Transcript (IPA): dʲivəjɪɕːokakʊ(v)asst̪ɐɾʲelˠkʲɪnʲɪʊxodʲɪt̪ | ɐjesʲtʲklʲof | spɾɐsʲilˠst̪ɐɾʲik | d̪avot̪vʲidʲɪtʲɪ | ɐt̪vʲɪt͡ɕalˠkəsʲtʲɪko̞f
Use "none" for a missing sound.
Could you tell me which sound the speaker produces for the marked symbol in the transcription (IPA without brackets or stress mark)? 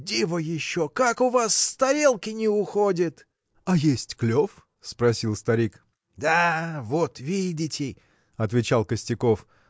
v